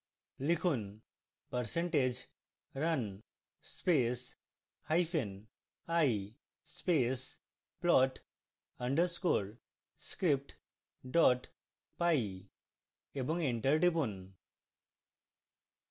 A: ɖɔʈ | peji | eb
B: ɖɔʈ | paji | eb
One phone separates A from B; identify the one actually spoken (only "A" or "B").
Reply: B